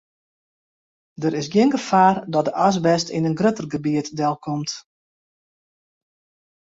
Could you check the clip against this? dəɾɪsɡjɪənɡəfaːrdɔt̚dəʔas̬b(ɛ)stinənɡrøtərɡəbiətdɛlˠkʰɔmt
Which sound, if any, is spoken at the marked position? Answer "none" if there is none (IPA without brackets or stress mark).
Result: ɛ